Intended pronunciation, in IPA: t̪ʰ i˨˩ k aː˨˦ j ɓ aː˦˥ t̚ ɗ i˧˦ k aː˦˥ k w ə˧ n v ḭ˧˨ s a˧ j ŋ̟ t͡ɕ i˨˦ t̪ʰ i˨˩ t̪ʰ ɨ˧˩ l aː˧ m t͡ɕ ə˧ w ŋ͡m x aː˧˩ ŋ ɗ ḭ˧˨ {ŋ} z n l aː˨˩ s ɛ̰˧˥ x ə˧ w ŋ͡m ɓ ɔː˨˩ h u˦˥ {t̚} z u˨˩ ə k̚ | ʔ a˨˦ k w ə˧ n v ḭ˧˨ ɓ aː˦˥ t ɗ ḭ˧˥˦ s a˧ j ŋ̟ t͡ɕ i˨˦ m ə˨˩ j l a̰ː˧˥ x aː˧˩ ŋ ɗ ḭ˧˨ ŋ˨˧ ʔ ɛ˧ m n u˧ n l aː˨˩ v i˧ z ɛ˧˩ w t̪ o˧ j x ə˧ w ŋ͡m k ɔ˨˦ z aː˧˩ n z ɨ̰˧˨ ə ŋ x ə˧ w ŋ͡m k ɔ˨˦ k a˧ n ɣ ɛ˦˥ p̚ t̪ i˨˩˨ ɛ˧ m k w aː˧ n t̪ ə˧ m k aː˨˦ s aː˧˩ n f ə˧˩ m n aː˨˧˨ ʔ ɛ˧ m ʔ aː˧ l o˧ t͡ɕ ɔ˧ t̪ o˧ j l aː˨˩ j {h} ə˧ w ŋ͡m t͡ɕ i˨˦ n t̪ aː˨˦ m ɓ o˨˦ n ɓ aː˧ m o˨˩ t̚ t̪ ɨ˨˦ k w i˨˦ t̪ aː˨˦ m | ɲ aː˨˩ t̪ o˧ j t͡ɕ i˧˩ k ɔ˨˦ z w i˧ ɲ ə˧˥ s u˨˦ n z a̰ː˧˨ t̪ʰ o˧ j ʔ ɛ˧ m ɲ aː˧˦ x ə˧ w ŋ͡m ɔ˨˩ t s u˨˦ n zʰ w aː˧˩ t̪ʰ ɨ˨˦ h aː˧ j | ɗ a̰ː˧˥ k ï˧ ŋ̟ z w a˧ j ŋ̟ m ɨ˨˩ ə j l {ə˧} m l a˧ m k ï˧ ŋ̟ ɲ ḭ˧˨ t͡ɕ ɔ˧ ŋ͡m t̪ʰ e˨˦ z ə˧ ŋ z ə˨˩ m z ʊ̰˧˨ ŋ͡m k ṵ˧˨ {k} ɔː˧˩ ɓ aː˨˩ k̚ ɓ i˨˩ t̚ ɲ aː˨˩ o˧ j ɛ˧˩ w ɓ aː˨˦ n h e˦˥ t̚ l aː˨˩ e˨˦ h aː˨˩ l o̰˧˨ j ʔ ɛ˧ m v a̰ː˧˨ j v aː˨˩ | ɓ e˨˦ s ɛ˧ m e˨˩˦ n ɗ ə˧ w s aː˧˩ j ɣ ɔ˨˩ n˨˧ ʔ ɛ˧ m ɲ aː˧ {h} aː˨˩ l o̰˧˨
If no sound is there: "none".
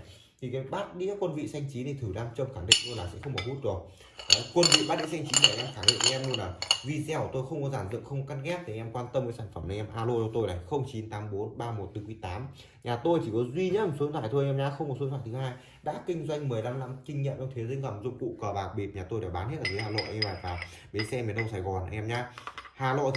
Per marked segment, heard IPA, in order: ŋ, t̚, x, a˧, k, h

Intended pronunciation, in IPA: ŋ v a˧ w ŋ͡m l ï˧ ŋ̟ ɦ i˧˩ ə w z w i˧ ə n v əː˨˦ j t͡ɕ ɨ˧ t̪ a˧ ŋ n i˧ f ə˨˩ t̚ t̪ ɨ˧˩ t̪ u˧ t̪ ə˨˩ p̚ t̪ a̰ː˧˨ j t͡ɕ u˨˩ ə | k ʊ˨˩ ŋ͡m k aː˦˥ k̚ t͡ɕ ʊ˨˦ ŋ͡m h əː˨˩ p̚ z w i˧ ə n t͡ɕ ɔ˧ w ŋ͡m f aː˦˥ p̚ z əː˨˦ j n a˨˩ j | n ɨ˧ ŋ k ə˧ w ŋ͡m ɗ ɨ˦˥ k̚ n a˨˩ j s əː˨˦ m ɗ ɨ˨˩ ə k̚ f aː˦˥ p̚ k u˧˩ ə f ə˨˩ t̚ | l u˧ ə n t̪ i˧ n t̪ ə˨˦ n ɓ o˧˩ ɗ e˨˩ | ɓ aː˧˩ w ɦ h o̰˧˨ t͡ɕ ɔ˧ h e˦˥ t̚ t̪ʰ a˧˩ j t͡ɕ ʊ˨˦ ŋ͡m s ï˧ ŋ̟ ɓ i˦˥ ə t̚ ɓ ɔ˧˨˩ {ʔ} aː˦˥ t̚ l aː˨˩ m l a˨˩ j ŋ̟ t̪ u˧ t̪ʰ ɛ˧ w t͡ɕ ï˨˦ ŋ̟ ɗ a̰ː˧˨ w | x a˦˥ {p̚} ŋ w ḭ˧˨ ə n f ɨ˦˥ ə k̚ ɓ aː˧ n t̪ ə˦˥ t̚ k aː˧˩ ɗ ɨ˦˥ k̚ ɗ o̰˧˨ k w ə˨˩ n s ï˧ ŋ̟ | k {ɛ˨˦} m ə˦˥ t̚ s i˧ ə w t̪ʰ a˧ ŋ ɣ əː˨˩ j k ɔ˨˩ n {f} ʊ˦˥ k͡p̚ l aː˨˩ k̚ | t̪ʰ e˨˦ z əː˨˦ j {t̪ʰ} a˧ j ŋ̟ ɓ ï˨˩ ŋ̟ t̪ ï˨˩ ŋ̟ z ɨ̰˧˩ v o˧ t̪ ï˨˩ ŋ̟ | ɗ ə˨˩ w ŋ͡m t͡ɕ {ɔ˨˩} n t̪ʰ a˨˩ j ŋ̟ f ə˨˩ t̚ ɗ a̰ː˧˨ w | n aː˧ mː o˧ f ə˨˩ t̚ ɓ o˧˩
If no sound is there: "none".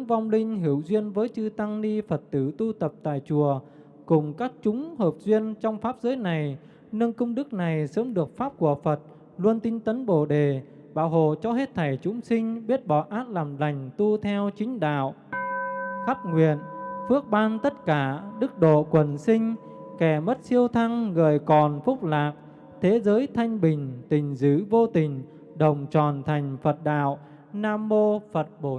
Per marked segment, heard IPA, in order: ʔ, p̚, ɛ˧˩, f, t̪ʰ, ɔ˨˩

